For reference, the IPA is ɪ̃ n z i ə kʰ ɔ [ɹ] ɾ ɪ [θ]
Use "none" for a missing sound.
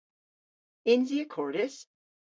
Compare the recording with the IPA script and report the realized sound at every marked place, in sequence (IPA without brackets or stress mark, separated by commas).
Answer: ɹ, s